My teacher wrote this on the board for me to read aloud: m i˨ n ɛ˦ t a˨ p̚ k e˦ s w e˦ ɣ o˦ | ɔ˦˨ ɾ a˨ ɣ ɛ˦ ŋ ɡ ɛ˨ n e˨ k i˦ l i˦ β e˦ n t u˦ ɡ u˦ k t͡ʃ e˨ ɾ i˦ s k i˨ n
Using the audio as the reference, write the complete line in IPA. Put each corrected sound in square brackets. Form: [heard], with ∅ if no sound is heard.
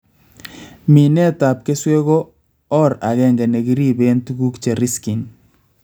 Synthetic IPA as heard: m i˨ n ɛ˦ t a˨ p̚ k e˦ s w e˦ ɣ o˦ | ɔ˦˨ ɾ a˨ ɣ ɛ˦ ŋ ɡ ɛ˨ n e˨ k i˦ [ɾ] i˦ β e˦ n t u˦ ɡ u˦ k t͡ʃ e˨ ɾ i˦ s k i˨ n